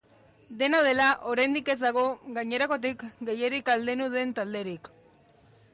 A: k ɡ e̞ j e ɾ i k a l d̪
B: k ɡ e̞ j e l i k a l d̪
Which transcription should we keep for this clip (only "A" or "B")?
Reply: A